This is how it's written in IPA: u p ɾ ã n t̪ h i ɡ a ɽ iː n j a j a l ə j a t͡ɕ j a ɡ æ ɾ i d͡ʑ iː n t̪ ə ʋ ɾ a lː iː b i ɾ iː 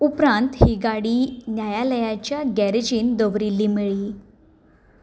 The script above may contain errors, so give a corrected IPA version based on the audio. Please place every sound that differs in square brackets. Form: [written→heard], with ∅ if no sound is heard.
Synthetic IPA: u p ɾ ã n t̪ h i ɡ a ɽ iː n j a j a l ə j a t͡ɕ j a ɡ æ ɾ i d͡ʑ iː n [t̪→d̪] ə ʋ ɾ [a→i] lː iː [b→m] i [ɾ→ɭ] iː

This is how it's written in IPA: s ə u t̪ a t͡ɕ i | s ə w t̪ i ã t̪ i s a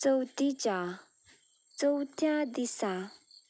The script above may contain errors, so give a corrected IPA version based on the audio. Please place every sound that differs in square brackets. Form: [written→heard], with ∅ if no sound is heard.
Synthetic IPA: [s→t͡s] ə [u→w] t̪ [a→i] t͡ɕ [i→a] | [s→t͡s] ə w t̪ [i→j] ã [t̪→d̪] i s a

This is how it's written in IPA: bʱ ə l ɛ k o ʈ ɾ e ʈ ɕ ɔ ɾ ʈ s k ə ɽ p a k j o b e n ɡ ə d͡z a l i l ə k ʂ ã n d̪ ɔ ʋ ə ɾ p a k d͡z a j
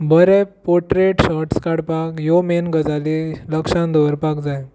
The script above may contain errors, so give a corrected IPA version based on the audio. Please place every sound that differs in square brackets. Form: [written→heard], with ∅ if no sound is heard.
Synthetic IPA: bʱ ə [l→ɾ] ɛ [k→p] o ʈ ɾ e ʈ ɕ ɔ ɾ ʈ s k [ə→a] ɽ p a k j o [b→m] e n ɡ ə d͡z a l i l ə k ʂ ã n d̪ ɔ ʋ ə ɾ p a k d͡z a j

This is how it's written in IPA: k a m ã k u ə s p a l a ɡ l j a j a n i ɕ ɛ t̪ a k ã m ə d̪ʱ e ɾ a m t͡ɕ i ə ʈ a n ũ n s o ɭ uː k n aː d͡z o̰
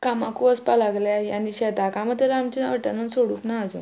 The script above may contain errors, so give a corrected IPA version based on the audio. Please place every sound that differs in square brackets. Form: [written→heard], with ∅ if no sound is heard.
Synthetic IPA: k a m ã k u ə s p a l a ɡ l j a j a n i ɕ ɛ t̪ a k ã m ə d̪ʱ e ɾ a m t͡ɕ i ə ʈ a n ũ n s o [ɭ→ɽ] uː k n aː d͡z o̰

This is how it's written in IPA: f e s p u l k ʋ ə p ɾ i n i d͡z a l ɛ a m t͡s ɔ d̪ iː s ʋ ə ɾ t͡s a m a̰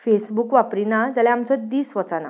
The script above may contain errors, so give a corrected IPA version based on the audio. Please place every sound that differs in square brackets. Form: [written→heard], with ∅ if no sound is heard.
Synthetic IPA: f e s [p→b] u [l→∅] k ʋ [ə→a] p ɾ i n [i→a] d͡z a l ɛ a m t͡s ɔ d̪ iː s ʋ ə [ɾ→∅] t͡s a [m→n] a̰

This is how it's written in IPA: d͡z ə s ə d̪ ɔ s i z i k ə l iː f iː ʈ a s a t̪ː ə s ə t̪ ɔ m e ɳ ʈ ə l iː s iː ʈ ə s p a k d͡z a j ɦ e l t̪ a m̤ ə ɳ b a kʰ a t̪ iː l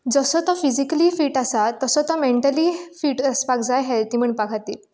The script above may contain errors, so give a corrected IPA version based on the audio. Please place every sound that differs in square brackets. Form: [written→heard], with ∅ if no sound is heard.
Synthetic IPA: d͡z ə s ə [d̪→t̪] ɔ [s→f] i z i k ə l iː f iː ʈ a s a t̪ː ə s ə t̪ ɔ m e ɳ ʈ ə l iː [s→f] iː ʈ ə s p a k d͡z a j ɦ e l t̪ [a→i] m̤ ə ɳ [b→p] a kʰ a t̪ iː l

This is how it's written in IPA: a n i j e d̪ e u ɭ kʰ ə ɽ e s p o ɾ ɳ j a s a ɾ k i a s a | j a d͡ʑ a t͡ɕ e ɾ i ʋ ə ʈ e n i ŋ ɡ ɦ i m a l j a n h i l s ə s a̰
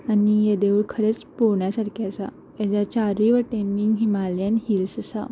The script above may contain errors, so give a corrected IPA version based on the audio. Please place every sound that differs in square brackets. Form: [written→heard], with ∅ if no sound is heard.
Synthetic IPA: a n i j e d̪ e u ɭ kʰ ə [ɽ→ɾ] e [s→t͡s] p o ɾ ɳ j a s a ɾ k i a s a | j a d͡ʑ a t͡ɕ [e→a] ɾ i ʋ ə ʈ e n i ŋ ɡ ɦ i m a l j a n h i l s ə s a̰

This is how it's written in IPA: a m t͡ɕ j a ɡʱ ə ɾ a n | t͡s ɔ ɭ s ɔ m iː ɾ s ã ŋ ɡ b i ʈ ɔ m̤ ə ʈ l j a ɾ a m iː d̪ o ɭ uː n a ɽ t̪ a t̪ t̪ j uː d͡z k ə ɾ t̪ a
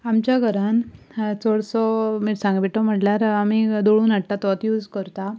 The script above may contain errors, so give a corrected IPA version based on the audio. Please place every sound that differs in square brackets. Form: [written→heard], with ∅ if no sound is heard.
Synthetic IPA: a m t͡ɕ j a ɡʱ ə ɾ a n | t͡s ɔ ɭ s ɔ m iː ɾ s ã ŋ ɡ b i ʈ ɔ m̤ ə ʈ l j a ɾ a m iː d̪ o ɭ uː n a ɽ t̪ a t̪ t̪ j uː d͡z k ə ɾ t̪ a

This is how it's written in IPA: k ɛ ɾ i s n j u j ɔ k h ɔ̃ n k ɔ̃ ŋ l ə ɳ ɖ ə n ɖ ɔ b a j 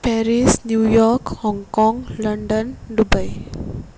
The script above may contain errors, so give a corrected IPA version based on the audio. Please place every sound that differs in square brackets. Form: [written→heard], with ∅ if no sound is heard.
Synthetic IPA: [k→p] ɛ ɾ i s n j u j ɔ k h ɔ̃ [n→ŋ] k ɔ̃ ŋ l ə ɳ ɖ ə n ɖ [ɔ→u] b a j

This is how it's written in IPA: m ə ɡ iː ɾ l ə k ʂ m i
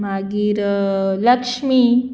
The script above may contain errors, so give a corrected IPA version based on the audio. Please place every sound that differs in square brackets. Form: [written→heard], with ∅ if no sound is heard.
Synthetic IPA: m [ə→a] ɡ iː ɾ l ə k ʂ m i

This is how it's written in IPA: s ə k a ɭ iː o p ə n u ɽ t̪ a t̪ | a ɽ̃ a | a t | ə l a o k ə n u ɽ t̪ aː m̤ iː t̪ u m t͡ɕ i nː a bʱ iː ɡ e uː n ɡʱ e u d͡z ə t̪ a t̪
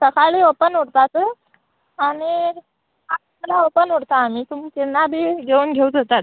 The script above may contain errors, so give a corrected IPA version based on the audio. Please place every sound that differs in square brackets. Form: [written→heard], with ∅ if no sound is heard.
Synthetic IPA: s ə k a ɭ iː o p ə n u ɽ t̪ a t̪ | a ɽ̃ [a→i] | a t | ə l a o [k→p] ə n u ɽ t̪ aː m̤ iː t̪ u m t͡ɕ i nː a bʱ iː ɡ e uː n ɡʱ e u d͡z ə t̪ a t̪

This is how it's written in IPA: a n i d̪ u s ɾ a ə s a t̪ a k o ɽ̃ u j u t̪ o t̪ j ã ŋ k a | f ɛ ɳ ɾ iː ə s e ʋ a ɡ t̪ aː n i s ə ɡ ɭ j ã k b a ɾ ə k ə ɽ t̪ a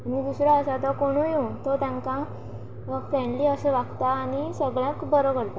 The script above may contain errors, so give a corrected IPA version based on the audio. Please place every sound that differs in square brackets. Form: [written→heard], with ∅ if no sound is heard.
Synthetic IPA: a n i d̪ u s ɾ a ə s a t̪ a k o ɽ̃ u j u t̪ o t̪ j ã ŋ k a | f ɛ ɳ [ɾ→l] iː ə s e ʋ a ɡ t̪ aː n i s ə ɡ ɭ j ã k b [a→ə] ɾ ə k ə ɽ t̪ a

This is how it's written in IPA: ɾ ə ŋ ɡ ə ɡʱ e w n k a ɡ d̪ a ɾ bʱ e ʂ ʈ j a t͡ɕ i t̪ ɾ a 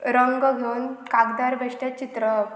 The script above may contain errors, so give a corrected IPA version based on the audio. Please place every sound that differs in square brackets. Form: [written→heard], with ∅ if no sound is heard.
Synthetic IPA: ɾ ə ŋ ɡ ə ɡʱ e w n k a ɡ d̪ a ɾ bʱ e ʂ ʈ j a t͡ɕ i t̪ ɾ [a→ə]

